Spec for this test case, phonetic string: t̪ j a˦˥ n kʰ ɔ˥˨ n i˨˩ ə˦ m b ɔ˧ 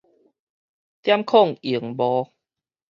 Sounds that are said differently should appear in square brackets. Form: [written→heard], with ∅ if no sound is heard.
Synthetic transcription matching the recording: t̪ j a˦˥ [n→m] kʰ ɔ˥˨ [n→ŋ] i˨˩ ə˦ [m→ŋ] b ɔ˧